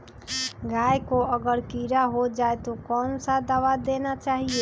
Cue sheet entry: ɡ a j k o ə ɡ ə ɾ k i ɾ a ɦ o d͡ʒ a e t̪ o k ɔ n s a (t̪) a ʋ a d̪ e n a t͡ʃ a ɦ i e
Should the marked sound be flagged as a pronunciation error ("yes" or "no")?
yes